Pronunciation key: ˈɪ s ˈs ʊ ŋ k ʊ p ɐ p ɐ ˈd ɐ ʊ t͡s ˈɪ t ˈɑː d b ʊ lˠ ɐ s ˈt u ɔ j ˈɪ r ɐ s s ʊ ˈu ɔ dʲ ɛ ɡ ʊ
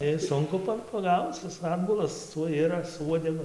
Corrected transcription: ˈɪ s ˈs ʊ ŋ k ʊ p ɐ p ɐ ˈɡ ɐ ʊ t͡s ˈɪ s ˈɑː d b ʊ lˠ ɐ s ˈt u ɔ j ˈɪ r ɐ s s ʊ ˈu ɔ dʲ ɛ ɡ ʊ